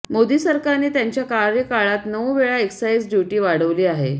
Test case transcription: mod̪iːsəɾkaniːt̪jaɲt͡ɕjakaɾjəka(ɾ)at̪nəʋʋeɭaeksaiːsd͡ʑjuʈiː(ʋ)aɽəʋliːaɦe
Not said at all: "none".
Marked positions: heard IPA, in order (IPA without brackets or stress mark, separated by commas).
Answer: ɭ, ʋ